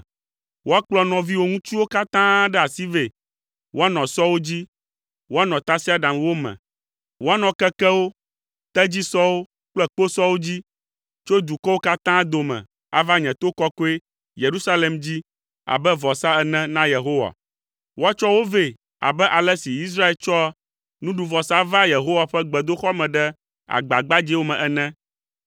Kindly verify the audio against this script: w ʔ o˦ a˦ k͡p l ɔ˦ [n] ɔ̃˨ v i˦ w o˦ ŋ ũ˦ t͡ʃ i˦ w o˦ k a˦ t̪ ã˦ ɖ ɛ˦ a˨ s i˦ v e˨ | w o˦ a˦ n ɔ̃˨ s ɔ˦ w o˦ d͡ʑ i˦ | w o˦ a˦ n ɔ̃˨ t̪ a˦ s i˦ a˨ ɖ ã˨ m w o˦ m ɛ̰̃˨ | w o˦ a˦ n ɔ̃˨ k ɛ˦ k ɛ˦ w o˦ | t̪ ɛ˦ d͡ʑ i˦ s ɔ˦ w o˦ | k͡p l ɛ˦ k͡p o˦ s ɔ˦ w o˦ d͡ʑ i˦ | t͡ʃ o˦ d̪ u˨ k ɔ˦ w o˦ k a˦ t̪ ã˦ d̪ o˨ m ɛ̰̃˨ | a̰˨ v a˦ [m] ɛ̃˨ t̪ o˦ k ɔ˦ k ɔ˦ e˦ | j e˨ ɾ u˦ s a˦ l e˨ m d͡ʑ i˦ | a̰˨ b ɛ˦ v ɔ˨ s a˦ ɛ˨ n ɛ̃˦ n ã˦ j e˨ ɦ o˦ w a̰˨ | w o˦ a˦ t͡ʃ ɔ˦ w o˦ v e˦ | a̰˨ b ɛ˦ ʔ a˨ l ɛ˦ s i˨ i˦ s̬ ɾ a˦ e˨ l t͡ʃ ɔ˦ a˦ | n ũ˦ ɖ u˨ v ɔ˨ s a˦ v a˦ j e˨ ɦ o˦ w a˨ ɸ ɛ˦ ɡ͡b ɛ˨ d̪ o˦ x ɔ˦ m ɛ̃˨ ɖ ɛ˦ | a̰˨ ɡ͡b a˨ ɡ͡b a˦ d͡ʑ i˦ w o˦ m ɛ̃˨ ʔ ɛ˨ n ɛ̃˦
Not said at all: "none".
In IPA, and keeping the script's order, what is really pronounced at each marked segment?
n, ɲ

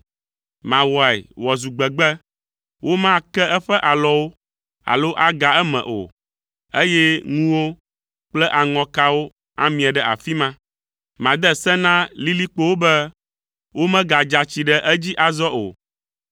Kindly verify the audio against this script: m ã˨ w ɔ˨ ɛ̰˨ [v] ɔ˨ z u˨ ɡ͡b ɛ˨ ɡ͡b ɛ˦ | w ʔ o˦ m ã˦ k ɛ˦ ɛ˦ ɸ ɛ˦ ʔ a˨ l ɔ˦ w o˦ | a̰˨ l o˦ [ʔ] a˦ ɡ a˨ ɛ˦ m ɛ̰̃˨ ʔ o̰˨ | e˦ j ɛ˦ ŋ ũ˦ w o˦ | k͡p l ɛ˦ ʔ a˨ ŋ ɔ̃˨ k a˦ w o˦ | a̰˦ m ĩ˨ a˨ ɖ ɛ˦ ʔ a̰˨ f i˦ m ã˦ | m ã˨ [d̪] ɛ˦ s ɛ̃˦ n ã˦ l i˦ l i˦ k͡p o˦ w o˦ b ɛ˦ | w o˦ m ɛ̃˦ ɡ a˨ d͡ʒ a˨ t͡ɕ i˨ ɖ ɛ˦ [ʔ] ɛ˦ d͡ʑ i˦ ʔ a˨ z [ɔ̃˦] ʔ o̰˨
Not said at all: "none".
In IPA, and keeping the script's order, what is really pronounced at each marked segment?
w, ʔ, d̪, ʔ, ɔ˦

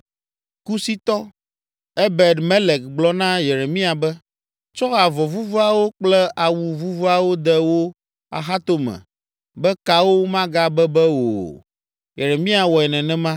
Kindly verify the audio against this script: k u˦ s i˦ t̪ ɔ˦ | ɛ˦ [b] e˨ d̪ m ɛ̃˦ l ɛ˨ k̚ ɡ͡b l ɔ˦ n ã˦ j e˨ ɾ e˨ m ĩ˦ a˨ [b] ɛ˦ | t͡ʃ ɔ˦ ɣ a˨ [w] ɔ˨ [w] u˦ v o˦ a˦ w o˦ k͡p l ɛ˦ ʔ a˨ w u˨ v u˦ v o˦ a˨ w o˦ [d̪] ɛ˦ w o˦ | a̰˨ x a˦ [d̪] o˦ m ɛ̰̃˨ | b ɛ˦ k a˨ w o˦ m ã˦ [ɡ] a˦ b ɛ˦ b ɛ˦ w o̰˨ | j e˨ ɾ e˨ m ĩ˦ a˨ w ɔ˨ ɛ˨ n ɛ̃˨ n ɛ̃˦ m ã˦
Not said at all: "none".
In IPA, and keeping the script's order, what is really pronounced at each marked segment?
b, b, v, v, d̪, t̪, ɡ

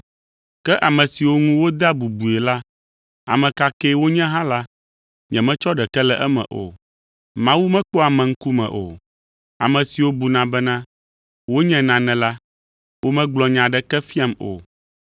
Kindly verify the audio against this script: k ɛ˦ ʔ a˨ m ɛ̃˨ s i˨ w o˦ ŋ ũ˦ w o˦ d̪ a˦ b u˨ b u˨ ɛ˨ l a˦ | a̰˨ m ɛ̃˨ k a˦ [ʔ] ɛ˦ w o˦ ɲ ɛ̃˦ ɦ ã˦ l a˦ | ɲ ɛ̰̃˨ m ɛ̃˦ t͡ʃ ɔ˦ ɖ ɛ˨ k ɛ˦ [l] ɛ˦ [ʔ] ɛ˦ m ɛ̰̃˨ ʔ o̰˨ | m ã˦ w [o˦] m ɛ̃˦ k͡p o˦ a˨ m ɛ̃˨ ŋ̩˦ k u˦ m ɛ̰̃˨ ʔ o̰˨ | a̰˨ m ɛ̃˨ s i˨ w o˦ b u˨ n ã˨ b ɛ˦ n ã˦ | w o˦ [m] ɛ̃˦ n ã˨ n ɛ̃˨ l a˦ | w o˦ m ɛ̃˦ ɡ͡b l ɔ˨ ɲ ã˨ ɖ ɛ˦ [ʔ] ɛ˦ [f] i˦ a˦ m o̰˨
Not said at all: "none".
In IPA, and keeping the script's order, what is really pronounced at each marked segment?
k, l, ʔ, u˦, ɲ, k, f

